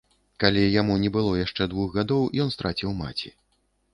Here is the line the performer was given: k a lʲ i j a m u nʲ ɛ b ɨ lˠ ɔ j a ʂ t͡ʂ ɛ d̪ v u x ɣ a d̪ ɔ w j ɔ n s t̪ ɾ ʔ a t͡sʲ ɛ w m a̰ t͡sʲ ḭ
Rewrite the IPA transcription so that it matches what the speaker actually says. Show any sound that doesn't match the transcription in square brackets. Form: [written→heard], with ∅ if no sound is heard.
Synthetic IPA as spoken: k a lʲ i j a m u nʲ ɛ b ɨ lˠ ɔ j a ʂ t͡ʂ ɛ d̪ v u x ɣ a d̪ ɔ w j ɔ n s t̪ ɾ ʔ a t͡sʲ [ɛ→i] w m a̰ t͡sʲ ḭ

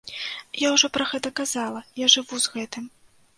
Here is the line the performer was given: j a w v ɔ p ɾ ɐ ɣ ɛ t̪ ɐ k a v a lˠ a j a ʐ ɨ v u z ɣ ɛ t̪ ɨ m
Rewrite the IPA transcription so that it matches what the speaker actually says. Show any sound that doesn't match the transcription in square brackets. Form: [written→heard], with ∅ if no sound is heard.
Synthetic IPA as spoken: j a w [v→ʐ] ɔ p ɾ ɐ ɣ ɛ t̪ ɐ k a [v→z] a lˠ [a→ɐ] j a ʐ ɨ v u z ɣ ɛ t̪ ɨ m

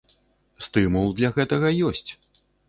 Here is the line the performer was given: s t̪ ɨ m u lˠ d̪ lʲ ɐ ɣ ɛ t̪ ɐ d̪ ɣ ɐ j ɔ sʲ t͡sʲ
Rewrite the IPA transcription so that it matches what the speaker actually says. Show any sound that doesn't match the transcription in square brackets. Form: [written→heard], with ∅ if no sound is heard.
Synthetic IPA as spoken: s t̪ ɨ m u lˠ d̪ lʲ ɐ ɣ ɛ t̪ ɐ [d̪→∅] ɣ ɐ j ɔ sʲ t͡sʲ

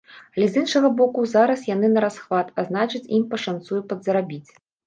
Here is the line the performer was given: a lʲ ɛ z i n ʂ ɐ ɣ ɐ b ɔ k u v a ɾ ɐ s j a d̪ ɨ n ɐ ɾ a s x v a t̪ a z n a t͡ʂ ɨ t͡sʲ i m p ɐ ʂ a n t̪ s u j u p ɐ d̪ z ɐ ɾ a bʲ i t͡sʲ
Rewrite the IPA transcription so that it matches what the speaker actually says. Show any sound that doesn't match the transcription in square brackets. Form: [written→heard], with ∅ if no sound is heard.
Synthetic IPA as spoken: a lʲ ɛ z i n ʂ ɐ ɣ ɐ b ɔ k u [v→z] a ɾ ɐ s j a [d̪→n̪] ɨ n ɐ ɾ a s x v a t̪ a z n a t͡ʂ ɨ t͡sʲ i m p ɐ ʂ a n t̪ s u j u p ɐ d̪ z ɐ ɾ a bʲ i t͡sʲ

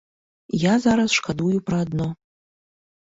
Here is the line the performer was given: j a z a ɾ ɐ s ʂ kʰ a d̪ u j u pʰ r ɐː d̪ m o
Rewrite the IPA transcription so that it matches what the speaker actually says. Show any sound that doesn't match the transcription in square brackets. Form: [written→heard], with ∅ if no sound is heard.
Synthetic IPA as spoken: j a z a ɾ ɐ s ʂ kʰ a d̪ u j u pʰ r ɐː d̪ [m→n] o

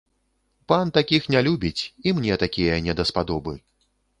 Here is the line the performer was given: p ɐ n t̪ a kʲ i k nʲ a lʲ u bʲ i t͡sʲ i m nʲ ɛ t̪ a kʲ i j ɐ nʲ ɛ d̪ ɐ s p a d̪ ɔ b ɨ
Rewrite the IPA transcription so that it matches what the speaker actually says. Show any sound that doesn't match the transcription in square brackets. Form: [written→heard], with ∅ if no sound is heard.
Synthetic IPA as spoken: p [ɐ→a] n t̪ a kʲ i [k→x] nʲ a lʲ u bʲ i t͡sʲ i m nʲ ɛ t̪ a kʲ i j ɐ nʲ ɛ d̪ ɐ s p a d̪ ɔ b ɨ

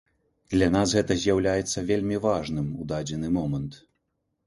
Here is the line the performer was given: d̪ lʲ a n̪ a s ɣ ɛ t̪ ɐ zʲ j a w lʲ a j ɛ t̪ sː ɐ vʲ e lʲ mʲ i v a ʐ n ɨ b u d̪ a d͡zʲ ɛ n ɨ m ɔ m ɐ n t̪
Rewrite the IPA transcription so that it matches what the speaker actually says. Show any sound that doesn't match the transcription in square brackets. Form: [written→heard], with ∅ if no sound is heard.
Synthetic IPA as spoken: d̪ lʲ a n̪ a s ɣ ɛ t̪ ɐ zʲ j a w lʲ a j ɛ t̪ sː ɐ vʲ e lʲ mʲ i v a ʐ n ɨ [b→m] u d̪ a d͡zʲ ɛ n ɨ m ɔ m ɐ n t̪

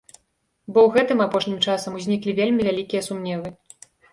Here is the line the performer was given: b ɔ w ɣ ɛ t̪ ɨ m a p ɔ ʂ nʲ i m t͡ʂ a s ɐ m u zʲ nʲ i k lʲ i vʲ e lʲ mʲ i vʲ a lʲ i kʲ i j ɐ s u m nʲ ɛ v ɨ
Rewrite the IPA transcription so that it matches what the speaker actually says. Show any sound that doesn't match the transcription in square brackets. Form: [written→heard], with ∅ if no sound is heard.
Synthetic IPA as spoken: b ɔ w ɣ ɛ t̪ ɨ m a p ɔ ʂ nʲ i m t͡ʂ a s ɐ m u zʲ nʲ i k lʲ i vʲ e lʲ mʲ i vʲ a lʲ i kʲ i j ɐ s u m nʲ ɛ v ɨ

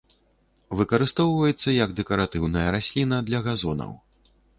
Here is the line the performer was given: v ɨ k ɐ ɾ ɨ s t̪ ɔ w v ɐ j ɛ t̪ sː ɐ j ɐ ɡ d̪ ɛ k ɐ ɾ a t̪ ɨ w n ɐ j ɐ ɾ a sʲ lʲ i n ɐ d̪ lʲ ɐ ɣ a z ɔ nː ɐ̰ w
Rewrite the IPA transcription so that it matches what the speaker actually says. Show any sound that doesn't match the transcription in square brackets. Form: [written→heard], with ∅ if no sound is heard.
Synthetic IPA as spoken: v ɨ k ɐ ɾ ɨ s t̪ ɔ w v ɐ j ɛ t̪ sː ɐ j ɐ ɡ d̪ ɛ k ɐ ɾ a t̪ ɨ w n ɐ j ɐ ɾ a sʲ lʲ i n ɐ d̪ lʲ ɐ ɣ a z ɔ [nː→n] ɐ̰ w

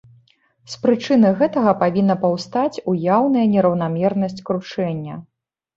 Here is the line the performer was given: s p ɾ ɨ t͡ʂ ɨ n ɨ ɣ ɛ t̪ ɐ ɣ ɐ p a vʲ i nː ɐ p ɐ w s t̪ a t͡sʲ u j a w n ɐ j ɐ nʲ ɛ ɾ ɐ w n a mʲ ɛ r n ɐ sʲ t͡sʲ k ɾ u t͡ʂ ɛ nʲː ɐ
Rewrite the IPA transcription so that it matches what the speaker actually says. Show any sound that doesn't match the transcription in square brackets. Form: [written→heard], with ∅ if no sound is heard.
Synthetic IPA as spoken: s p ɾ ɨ t͡ʂ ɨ n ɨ ɣ ɛ t̪ ɐ ɣ ɐ p a vʲ i nː ɐ p ɐ w s t̪ a t͡sʲ u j a w n ɐ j ɐ nʲ ɛ ɾ ɐ w n a mʲ ɛ r n ɐ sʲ t͡sʲ k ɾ u t͡ʂ ɛ nʲː ɐ

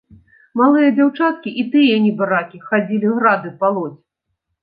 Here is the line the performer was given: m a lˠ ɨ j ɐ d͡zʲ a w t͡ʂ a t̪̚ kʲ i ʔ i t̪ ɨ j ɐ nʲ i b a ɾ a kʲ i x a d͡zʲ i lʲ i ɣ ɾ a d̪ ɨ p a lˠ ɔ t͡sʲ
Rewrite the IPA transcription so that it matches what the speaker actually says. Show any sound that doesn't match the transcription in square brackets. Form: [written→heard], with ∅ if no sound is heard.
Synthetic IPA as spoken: m a lˠ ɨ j ɐ d͡zʲ a w t͡ʂ a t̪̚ kʲ i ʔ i t̪ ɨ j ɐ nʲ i b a ɾ a kʲ i x a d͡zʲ i lʲ i ɣ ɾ a d̪ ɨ p a lˠ ɔ t͡sʲ

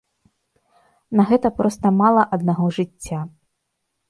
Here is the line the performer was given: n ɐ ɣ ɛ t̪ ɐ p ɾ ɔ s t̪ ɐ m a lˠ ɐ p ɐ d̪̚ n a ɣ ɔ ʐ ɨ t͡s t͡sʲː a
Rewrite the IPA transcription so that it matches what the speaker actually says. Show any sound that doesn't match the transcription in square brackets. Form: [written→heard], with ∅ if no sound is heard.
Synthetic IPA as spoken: n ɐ ɣ ɛ t̪ ɐ p ɾ ɔ s t̪ ɐ m a lˠ ɐ [p→ʔ] ɐ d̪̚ n a ɣ ɔ ʐ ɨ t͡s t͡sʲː a

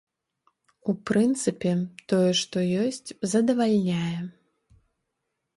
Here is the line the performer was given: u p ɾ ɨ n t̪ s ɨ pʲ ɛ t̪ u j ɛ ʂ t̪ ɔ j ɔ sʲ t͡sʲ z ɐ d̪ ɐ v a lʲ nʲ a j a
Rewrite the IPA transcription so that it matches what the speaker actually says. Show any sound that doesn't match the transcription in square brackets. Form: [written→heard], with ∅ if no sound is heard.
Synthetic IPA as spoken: u p ɾ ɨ n t̪ s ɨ pʲ ɛ t̪ [u→ɔ] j ɛ ʂ t̪ ɔ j ɔ sʲ t͡sʲ z ɐ d̪ ɐ v a lʲ nʲ a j [a→ɛ]

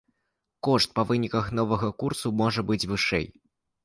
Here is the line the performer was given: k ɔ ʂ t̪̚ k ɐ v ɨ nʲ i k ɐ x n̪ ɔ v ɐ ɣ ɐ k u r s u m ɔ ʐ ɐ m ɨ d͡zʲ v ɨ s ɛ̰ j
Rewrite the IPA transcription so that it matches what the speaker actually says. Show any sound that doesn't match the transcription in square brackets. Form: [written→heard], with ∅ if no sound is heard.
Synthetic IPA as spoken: k ɔ ʂ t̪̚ [k→p] ɐ v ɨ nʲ i k ɐ x n̪ ɔ v ɐ ɣ ɐ k u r s u m ɔ ʐ ɐ [m→b] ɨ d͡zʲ v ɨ [s→ʂ] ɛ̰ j

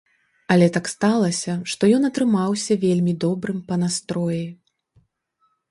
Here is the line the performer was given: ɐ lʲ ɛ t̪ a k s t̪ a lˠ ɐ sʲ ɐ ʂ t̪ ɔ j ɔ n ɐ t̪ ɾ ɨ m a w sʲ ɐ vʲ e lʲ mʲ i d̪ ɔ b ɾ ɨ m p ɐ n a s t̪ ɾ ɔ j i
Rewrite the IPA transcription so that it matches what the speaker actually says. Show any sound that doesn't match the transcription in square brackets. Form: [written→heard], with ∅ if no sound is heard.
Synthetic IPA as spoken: ɐ lʲ ɛ t̪ a k s t̪ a lˠ ɐ sʲ ɐ ʂ t̪ ɔ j ɔ n ɐ t̪ ɾ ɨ m a w sʲ ɐ vʲ e lʲ mʲ i d̪ ɔ b ɾ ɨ m p ɐ n a s t̪ ɾ ɔ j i

